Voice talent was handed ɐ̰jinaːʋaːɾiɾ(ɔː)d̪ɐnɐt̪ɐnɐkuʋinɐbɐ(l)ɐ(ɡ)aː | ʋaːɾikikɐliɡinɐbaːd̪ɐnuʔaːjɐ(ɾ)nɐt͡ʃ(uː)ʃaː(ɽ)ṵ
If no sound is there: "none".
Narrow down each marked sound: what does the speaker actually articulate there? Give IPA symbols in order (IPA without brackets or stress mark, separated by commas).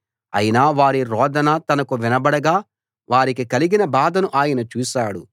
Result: ɔː, ɽ, ɡ, none, uː, ɽ